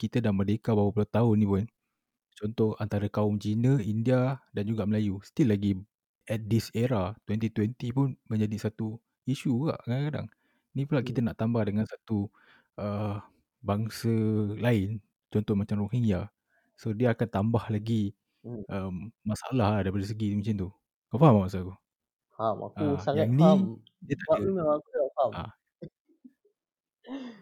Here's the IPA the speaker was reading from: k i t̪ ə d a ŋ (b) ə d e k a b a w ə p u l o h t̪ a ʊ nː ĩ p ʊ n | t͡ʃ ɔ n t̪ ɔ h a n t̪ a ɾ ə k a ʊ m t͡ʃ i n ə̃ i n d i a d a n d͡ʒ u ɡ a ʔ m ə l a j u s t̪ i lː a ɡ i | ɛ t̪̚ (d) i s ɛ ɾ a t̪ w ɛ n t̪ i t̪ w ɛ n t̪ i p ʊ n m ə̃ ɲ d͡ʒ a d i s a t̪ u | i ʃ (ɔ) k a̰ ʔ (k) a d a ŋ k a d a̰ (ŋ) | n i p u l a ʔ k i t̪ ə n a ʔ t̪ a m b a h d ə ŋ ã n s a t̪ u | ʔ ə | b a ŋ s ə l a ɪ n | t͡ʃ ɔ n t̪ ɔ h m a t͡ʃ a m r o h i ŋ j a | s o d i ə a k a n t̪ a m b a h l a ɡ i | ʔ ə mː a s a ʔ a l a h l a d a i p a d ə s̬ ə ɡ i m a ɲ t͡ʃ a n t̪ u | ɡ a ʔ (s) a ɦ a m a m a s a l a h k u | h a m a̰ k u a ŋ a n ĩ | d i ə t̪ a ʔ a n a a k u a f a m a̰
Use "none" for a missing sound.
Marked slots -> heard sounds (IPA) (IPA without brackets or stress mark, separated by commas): m, d, u, k, ŋ, f